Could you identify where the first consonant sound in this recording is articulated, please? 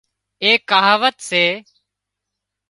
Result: velar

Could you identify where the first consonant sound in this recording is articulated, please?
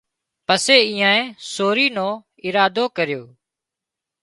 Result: labial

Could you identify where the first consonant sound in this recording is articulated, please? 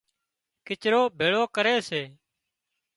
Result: velar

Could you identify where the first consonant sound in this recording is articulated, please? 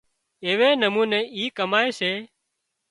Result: labial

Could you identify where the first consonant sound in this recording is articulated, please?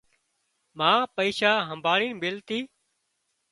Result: labial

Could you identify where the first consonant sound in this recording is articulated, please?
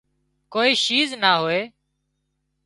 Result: velar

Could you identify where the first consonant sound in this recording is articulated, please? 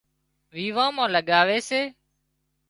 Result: labial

